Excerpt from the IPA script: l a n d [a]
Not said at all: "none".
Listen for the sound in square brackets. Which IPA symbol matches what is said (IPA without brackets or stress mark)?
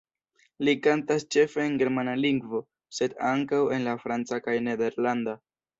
a